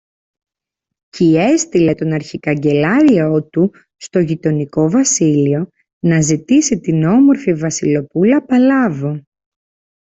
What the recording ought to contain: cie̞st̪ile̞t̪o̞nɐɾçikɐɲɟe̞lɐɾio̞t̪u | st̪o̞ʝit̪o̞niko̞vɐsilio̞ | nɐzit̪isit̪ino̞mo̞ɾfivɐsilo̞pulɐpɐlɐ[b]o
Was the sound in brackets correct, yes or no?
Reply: no